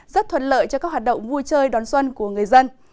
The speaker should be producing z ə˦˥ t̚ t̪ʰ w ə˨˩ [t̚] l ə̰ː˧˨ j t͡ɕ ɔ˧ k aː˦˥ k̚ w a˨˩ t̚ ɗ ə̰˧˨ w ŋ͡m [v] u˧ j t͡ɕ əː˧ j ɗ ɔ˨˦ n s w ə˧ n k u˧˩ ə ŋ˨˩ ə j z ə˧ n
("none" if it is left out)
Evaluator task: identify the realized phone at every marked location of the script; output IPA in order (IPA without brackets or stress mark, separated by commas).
t̚, v